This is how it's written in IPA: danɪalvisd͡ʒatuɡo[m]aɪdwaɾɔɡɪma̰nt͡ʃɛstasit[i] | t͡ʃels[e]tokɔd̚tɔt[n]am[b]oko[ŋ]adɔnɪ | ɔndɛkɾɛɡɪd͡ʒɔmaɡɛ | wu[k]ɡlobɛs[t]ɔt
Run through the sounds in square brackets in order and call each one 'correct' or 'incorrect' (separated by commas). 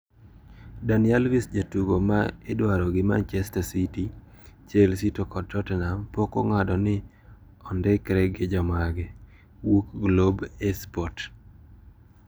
correct, correct, incorrect, correct, incorrect, correct, correct, incorrect